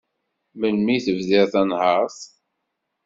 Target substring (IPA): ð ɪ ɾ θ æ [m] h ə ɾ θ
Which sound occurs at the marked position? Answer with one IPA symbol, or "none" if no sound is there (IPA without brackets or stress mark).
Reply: n